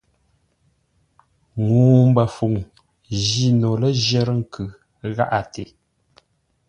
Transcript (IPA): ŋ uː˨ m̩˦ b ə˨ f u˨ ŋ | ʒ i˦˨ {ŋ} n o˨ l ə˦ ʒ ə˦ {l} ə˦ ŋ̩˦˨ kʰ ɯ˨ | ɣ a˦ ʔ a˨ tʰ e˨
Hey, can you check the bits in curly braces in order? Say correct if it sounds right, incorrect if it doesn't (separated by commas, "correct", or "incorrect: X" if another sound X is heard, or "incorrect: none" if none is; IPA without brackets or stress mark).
incorrect: none, incorrect: ɾ